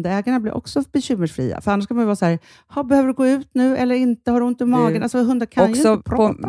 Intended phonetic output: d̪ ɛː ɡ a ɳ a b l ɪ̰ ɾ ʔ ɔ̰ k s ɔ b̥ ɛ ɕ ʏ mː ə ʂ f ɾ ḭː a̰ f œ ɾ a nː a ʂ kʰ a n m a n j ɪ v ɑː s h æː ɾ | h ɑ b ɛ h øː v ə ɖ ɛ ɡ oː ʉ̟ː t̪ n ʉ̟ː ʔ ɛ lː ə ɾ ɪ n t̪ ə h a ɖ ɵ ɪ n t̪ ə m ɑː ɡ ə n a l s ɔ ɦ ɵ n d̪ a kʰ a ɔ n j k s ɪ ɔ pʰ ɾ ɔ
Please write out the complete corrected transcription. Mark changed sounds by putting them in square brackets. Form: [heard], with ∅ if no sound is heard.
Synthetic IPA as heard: d̪ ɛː ɡ a ɳ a b l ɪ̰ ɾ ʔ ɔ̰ k s ɔ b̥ ɛ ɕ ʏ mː ə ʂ f ɾ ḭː a̰ f œ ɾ a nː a ʂ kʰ a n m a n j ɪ v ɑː s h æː ɾ | h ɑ b ɛ h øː v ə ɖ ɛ ɡ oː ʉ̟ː t̪ n ʉ̟ː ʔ ɛ lː ə ɾ ɪ n t̪ ə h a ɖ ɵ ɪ n t̪ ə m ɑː ɡ ə n a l s ɔ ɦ ɵ n d̪ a kʰ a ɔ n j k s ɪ ɔ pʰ ɾ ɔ